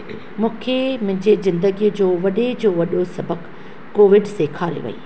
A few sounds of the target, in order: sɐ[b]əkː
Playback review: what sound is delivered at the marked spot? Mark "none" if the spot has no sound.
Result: b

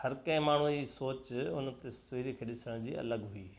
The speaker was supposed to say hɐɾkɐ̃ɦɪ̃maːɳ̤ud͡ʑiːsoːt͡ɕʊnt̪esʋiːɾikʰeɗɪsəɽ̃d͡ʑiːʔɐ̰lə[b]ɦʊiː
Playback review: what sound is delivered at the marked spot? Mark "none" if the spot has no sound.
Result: ɡ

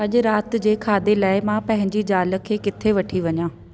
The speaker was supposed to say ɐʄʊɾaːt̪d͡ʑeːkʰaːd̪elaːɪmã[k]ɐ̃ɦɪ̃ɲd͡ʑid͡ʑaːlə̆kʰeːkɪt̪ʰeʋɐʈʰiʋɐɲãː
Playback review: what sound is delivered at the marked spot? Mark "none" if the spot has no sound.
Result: p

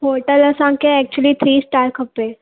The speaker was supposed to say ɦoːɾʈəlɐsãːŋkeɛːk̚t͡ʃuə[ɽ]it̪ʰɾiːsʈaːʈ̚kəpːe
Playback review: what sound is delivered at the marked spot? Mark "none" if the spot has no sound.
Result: l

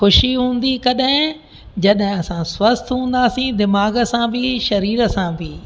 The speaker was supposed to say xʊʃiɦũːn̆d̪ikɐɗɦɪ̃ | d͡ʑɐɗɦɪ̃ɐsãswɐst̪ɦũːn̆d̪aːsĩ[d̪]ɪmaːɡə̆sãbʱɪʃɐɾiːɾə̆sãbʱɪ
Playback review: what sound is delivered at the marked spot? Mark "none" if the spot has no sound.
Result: d̪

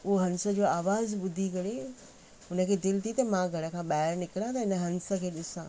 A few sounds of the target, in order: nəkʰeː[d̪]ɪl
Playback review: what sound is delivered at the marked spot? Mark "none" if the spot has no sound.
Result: d̪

